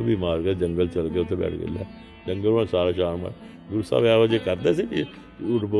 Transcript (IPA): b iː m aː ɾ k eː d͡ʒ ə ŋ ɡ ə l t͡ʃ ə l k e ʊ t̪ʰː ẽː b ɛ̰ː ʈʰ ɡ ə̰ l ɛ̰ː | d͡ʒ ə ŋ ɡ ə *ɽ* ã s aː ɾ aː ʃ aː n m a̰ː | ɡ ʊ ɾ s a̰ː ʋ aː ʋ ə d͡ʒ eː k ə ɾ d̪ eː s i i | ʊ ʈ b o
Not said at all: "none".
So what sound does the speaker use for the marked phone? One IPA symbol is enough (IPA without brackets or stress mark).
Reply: l